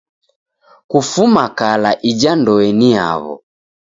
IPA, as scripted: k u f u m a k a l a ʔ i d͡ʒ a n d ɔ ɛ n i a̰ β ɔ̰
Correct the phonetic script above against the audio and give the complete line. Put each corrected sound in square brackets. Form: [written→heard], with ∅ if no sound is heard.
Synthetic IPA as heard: k u f u m a k a l a ʔ i d͡ʒ a n d ɔ ɛ n i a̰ β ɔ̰